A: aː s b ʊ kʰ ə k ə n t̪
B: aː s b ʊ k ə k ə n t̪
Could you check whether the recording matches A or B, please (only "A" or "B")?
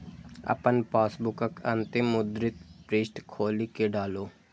B